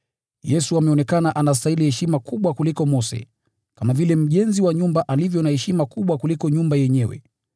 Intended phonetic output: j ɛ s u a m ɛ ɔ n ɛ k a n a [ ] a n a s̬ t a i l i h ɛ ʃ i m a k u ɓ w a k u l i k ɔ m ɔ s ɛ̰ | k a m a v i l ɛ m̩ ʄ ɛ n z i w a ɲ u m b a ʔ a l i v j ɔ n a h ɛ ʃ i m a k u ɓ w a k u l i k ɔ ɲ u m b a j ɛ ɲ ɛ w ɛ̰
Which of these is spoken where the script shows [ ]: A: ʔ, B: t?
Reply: A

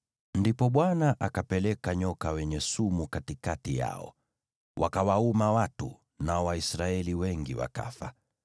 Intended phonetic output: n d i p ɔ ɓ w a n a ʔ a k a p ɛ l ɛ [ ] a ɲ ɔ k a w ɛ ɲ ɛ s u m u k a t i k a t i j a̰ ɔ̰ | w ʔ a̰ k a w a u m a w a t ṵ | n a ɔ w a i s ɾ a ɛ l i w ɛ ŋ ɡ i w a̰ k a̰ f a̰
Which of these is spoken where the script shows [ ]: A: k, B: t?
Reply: A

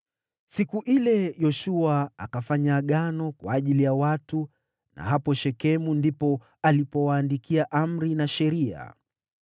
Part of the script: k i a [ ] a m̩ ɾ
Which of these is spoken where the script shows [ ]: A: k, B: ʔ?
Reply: B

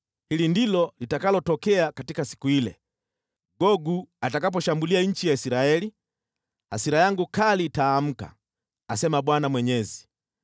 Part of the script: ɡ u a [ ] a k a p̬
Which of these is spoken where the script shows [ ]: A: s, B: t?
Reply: B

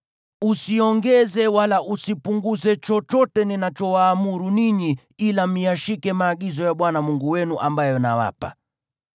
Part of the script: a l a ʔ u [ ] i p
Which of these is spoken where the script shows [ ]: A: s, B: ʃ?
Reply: A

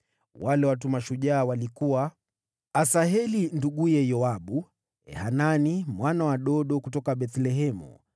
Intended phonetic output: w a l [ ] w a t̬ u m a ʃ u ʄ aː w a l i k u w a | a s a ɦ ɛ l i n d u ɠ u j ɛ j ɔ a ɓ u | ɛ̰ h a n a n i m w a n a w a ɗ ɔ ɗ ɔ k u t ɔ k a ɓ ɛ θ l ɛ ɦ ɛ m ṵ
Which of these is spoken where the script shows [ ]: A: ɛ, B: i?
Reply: A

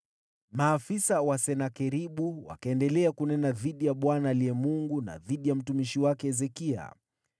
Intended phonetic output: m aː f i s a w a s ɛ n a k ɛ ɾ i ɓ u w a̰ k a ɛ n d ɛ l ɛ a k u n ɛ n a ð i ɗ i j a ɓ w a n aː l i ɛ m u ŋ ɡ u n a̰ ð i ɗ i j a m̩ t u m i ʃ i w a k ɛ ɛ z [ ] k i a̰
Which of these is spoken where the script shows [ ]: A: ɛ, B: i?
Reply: A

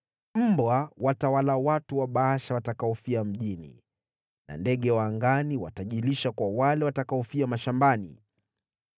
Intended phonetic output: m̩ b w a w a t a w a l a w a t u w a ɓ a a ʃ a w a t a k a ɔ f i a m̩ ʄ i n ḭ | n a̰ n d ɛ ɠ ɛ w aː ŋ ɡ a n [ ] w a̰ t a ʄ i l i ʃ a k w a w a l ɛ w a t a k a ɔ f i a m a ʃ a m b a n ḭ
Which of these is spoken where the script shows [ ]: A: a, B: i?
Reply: B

